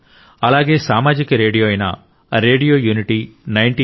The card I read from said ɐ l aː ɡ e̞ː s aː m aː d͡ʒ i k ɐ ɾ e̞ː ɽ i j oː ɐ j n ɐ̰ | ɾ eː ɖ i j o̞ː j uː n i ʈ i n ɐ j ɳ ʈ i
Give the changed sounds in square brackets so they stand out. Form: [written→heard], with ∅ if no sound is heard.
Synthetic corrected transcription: ɐ l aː ɡ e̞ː s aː m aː d͡ʒ i k ɐ ɾ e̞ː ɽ i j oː ɐ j n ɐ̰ | ɾ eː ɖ i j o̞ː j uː n i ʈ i n ɐ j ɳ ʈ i

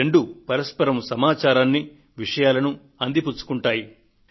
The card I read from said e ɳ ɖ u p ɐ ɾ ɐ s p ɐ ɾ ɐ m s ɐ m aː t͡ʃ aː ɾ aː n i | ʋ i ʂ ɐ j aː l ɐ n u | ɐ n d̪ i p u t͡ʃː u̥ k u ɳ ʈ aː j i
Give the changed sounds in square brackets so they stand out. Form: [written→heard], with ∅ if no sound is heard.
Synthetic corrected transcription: e ɳ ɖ u p ɐ ɾ ɐ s p ɐ ɾ ɐ m s ɐ m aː t͡ʃ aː ɾ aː [n→nː] i | ʋ i ʂ ɐ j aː l ɐ n u | ɐ n d̪ i p u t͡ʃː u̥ k u ɳ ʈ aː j i

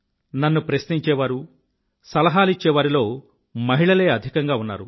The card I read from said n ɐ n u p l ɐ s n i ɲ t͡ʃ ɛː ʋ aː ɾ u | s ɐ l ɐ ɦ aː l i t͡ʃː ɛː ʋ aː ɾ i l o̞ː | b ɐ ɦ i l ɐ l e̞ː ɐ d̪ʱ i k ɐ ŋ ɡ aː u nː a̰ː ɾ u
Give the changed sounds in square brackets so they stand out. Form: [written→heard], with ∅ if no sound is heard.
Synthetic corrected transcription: n ɐ [n→nː] u p [l→ɾ] ɐ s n i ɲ t͡ʃ ɛː ʋ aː ɾ u | s ɐ l ɐ ɦ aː l i t͡ʃː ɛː ʋ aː ɾ i l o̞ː | [b→m] ɐ ɦ i [l→ɭ] ɐ l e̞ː ɐ d̪ʱ i k ɐ ŋ ɡ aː u nː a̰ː ɾ u

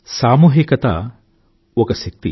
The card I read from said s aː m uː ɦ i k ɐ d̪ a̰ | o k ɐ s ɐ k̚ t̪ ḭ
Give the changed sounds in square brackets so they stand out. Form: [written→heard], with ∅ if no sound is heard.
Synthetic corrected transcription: s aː m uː ɦ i k ɐ [d̪→t̪] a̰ | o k ɐ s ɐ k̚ t̪ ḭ

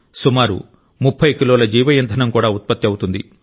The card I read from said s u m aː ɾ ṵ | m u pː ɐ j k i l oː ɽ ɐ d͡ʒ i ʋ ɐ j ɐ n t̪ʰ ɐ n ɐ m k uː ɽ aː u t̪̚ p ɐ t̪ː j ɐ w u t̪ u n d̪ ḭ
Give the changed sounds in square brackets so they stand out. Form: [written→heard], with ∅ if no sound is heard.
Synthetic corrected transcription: s u m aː ɾ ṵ | m u [pː→pʰː] ɐ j k i l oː [ɽ→l] ɐ d͡ʒ [i→iː] ʋ ɐ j ɐ n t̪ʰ ɐ n ɐ m k uː ɽ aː u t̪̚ p ɐ t̪ː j ɐ w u t̪ u n d̪ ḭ

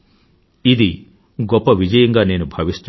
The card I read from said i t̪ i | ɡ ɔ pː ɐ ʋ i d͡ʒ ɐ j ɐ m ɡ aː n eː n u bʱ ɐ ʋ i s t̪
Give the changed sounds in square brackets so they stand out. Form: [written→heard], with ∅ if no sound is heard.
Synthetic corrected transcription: i [t̪→d̪] i | ɡ ɔ pː ɐ ʋ i d͡ʒ ɐ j ɐ [m→ŋ] ɡ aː n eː n u bʱ ɐ ʋ i s t̪

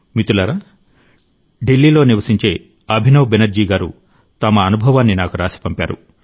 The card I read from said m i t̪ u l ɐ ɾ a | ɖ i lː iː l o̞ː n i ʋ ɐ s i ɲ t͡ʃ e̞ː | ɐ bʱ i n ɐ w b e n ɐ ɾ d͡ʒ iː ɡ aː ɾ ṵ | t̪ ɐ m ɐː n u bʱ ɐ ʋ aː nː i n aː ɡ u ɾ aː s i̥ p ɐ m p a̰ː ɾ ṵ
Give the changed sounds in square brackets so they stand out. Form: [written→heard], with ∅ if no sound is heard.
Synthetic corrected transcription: m i t̪ u l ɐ ɾ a | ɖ i lː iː l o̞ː n i ʋ ɐ s i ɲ t͡ʃ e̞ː | ɐ bʱ i n ɐ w b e n ɐ ɾ d͡ʒ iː ɡ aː ɾ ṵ | t̪ ɐ m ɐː n u bʱ ɐ ʋ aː nː i n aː [ɡ→k] u ɾ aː s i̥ p ɐ m p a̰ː ɾ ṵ

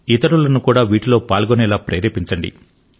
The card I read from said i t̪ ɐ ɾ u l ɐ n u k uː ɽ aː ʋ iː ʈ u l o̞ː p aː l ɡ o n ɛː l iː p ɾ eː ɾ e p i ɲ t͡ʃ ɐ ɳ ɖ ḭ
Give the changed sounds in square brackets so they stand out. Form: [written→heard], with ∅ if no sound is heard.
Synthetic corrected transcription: i t̪ ɐ ɾ u l ɐ n u k uː ɽ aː ʋ iː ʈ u l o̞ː p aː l ɡ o n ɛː l [iː→aː] p ɾ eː ɾ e p i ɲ t͡ʃ ɐ ɳ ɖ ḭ

